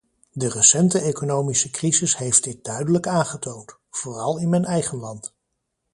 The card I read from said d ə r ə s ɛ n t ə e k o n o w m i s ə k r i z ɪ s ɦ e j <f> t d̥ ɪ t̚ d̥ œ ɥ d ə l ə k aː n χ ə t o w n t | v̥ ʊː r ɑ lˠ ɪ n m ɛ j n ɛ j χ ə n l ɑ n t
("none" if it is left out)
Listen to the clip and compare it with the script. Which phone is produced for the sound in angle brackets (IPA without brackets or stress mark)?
f